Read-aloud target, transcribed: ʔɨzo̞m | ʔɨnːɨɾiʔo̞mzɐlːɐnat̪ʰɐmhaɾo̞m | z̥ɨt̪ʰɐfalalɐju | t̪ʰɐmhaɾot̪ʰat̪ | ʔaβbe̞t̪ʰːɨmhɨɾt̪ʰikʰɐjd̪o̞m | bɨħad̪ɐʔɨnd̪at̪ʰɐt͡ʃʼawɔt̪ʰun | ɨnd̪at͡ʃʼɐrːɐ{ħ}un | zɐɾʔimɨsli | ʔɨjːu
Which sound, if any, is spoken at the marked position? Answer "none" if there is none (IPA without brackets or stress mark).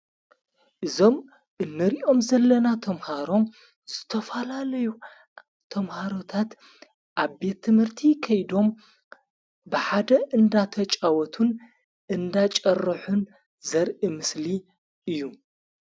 ħ